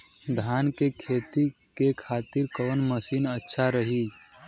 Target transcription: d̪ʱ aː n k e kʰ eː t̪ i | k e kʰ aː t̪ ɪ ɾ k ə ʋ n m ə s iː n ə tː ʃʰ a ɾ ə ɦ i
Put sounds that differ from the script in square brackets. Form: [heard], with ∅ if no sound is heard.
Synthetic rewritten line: d̪ʱ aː n k e kʰ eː t̪ i | k e kʰ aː t̪ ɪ ɾ k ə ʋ n m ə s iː n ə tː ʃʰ a ɾ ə ɦ i

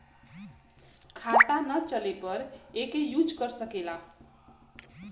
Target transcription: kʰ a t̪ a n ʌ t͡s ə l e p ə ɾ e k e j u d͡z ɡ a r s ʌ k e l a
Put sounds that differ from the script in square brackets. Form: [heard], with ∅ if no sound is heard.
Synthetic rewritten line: kʰ a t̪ a n ʌ t͡s [ʌ] l e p [ʌ] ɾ e k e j u d͡z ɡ [ʌ] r s ʌ k e l a

